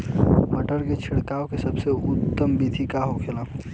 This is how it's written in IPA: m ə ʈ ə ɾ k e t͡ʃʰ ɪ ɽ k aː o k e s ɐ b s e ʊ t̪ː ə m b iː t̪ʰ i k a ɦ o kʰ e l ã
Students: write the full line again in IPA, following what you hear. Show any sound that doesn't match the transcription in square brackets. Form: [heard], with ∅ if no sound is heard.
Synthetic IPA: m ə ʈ ə ɾ k e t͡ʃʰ ɪ ɽ k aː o k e s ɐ b s e ʊ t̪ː ə m b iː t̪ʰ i k a ɦ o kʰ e l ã